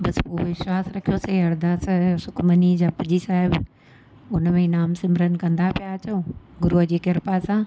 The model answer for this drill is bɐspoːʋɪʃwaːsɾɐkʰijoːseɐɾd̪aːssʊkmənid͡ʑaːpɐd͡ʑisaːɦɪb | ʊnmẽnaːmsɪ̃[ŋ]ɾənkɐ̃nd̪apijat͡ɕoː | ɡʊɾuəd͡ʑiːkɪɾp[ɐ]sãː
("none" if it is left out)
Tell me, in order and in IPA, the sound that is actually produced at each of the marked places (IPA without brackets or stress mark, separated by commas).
m, a